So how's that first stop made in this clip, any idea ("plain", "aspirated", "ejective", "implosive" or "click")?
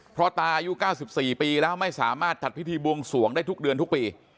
aspirated